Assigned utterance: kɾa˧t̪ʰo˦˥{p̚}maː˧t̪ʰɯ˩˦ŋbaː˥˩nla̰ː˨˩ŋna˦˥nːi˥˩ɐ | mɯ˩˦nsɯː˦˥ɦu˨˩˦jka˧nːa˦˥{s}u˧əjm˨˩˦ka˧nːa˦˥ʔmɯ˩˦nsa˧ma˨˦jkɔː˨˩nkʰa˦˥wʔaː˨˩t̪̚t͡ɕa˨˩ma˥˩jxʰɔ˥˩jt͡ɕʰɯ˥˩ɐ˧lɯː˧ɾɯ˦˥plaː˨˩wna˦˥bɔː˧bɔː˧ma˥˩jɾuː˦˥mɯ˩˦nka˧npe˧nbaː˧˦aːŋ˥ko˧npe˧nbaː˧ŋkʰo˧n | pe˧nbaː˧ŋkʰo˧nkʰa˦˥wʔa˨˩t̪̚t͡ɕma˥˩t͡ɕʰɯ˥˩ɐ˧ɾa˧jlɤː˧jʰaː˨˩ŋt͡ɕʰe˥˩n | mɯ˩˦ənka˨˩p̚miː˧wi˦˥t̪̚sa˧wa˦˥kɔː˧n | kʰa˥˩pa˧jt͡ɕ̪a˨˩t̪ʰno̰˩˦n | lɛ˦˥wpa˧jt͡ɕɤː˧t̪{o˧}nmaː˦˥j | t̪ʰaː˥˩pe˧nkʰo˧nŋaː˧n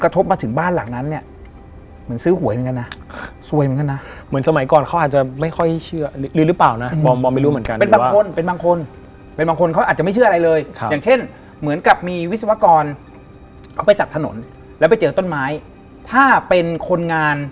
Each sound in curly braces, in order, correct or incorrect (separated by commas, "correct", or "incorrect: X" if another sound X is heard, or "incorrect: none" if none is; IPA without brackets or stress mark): correct, correct, incorrect: o˥˩